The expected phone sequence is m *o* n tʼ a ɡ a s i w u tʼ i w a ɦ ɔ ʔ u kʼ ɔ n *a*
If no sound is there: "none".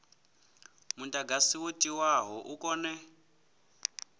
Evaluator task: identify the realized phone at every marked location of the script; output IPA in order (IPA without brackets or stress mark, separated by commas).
u, ɛ